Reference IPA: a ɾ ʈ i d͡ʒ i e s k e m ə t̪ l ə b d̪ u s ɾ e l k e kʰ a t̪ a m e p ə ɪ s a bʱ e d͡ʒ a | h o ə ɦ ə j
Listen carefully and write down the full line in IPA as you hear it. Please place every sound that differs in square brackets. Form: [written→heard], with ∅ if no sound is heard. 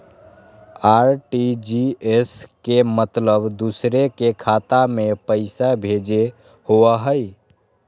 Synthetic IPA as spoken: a ɾ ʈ i d͡ʒ i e s k e m ə t̪ l ə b d̪ u s ɾ e [l→∅] k e kʰ a t̪ a m e p ə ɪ s a bʱ e d͡ʒ [a→e] | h o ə ɦ ə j